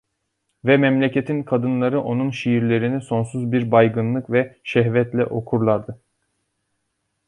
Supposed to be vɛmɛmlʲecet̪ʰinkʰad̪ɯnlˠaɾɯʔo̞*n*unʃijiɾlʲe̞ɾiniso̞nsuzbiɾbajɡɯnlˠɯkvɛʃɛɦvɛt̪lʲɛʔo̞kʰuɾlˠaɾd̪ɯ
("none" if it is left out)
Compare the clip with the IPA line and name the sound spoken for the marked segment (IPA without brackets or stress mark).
n